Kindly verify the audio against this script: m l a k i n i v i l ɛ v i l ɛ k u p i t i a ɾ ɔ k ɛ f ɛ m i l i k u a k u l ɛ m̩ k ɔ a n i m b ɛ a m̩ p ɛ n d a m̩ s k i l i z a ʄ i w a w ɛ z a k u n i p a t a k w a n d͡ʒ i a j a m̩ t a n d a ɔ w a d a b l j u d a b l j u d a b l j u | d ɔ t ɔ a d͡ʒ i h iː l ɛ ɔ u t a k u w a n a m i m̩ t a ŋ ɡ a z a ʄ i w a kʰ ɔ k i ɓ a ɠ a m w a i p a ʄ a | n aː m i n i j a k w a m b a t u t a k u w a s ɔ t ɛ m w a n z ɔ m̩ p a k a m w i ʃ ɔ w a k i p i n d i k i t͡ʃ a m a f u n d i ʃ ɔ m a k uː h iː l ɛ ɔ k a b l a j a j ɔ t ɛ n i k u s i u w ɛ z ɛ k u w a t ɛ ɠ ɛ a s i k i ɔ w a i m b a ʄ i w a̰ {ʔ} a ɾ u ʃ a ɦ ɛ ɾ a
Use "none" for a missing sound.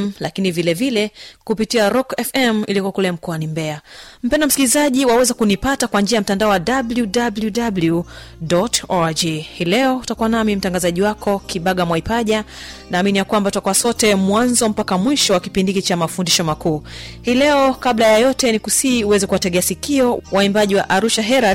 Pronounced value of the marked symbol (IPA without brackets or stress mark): ʔ